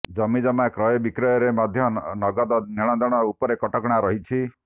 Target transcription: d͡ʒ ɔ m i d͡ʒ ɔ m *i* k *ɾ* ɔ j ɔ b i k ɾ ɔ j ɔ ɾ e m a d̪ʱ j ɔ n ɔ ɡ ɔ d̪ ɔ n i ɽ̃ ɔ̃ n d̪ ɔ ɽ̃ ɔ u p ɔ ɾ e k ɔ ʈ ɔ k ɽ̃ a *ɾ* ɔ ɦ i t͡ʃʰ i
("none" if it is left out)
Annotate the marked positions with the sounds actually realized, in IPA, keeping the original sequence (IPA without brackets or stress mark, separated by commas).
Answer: a, ɾ, ɾ